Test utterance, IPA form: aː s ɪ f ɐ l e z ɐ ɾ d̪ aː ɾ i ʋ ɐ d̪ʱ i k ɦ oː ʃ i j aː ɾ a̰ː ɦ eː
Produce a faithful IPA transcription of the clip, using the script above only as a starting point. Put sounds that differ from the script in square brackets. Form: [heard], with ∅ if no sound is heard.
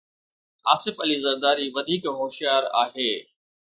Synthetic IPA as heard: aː s ɪ f ɐ l [i] z ɐ ɾ d̪ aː ɾ i ʋ ɐ d̪ʱ [iː] k ɦ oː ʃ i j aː ɾ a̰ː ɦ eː